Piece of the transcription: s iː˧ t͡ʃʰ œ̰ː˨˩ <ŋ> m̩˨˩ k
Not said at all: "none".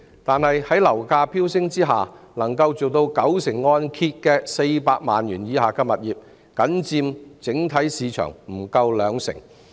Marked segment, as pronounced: ŋ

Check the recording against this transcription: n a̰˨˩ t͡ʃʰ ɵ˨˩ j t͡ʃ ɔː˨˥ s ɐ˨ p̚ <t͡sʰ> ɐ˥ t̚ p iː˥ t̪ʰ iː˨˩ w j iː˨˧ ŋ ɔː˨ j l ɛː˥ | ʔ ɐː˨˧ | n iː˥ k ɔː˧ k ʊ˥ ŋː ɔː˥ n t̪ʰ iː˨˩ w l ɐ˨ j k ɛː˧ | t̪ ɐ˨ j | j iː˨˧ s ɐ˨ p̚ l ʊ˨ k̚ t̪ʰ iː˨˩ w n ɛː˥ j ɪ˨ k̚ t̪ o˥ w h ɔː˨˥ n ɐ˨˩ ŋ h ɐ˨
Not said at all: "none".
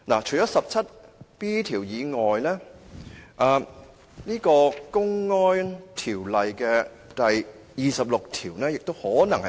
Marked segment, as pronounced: t͡sʰ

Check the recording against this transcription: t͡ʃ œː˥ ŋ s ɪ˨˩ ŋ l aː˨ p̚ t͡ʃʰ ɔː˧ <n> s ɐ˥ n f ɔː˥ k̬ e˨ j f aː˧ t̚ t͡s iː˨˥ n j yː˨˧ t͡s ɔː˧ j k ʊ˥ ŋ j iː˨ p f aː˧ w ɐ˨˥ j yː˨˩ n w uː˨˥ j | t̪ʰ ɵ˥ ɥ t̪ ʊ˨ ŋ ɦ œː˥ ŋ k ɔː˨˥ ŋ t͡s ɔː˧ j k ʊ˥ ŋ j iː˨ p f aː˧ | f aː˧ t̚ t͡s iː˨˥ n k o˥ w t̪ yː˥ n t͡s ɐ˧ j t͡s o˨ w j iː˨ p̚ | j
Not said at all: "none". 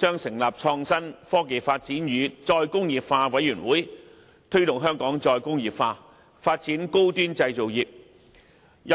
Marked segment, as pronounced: ŋ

